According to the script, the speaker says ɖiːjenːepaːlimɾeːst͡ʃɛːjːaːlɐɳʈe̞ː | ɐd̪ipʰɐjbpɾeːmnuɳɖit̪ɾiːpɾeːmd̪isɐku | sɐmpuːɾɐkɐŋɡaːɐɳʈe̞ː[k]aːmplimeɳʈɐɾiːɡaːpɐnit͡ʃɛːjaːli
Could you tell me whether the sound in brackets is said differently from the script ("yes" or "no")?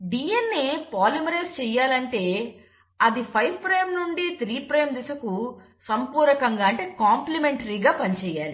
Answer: no